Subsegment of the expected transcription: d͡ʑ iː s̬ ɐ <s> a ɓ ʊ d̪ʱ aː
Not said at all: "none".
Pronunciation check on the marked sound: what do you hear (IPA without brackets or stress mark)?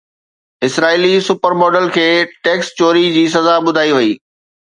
z